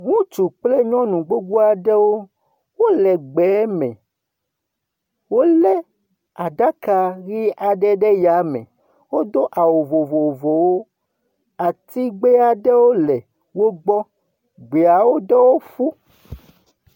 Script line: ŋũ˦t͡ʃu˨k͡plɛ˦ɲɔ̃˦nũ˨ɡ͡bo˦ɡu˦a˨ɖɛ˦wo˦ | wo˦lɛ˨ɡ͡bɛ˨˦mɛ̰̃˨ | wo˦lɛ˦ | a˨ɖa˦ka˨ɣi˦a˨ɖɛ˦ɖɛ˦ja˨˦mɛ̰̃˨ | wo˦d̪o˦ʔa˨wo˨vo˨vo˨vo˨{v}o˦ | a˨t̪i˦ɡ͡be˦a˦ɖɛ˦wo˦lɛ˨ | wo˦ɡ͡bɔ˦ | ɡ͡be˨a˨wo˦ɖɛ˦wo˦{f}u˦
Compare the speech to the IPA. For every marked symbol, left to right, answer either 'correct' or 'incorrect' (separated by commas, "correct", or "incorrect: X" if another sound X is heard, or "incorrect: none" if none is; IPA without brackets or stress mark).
incorrect: w, correct